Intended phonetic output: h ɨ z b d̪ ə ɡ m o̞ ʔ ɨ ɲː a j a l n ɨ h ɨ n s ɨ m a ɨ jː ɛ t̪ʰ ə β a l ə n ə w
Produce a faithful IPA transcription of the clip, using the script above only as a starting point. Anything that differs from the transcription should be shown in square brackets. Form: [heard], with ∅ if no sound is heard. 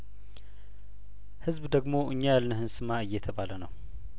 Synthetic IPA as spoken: h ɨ z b d̪ ə ɡ m o̞ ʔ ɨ ɲː a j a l n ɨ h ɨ n s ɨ m a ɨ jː ɛ t̪ʰ ə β a l ə n ə w